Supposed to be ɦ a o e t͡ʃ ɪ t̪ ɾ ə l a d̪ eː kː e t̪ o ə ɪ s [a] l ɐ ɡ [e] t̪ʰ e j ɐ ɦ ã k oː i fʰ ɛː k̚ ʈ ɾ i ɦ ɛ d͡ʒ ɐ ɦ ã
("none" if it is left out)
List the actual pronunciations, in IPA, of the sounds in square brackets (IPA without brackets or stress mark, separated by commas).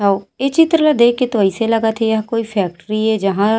e, a